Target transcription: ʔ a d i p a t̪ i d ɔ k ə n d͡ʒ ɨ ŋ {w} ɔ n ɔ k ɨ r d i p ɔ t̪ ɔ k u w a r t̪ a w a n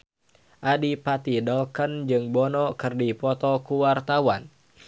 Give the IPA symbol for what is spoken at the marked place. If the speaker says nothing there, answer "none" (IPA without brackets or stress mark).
b